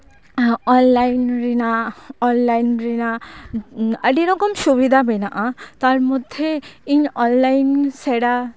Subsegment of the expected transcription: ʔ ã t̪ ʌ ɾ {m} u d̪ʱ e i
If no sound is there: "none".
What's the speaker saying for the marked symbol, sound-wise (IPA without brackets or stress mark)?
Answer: m